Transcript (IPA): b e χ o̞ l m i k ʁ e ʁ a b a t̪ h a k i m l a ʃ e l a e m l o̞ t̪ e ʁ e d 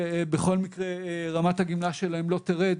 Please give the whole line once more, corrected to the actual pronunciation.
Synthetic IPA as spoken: b e χ o̞ l m i k ʁ e ʁ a m a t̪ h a ɡ i m l a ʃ e l a e m l o̞ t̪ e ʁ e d